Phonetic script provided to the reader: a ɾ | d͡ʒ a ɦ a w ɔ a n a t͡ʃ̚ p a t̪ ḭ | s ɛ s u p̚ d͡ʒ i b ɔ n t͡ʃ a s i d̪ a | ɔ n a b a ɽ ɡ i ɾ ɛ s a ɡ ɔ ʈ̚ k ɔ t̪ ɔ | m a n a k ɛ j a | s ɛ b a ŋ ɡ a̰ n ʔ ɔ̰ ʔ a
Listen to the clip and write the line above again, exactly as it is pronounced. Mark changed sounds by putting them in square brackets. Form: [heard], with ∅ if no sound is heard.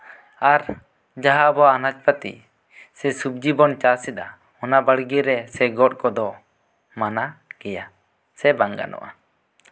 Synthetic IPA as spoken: a ɾ | d͡ʒ a ɦ a [b] ɔ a n a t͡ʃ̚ p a t̪ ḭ | s ɛ s u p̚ d͡ʒ i b ɔ n t͡ʃ a s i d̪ a | ɔ n a b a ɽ ɡ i ɾ ɛ s [ɛ] ɡ ɔ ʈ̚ k ɔ [d̪] ɔ | m a n a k ɛ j a | s ɛ b a ŋ ɡ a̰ n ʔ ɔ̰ ʔ a